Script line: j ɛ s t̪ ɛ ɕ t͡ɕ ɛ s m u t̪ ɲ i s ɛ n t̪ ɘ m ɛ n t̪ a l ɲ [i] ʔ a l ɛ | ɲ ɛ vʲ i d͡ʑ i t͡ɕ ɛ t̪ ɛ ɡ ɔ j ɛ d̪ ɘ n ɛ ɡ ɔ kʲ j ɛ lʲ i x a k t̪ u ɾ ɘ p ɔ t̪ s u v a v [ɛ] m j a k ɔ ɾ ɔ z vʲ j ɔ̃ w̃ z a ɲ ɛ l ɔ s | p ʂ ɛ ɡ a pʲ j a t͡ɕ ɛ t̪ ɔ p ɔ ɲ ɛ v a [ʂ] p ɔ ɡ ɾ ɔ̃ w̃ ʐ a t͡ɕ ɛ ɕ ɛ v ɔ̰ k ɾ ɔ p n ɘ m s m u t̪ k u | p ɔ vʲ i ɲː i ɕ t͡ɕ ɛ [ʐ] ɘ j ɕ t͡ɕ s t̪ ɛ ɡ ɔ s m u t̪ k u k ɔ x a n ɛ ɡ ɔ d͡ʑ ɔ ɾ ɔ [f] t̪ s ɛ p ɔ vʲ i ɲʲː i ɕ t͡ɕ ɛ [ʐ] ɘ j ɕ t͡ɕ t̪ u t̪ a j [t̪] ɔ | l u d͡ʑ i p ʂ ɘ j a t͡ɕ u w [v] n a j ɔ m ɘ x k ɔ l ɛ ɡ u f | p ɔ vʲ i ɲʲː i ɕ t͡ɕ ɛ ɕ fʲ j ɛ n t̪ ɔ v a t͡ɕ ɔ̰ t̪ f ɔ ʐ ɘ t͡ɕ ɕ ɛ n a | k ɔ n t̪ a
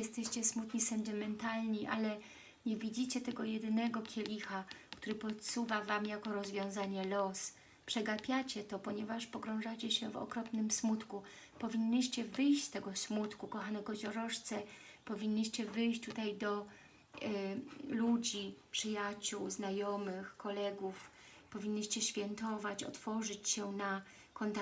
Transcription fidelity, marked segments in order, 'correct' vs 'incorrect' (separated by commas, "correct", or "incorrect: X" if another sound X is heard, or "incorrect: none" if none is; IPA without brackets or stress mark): correct, incorrect: a, correct, incorrect: v, incorrect: ʂ, incorrect: v, incorrect: d̪, incorrect: z